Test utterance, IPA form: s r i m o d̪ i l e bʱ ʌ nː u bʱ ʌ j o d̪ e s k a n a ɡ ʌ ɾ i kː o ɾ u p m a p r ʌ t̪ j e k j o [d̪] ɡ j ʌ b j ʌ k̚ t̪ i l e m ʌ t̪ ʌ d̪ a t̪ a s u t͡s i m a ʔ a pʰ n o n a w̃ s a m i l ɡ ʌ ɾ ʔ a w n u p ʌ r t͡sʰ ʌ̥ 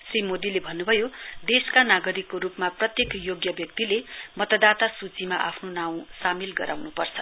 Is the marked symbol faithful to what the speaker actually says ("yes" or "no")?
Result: no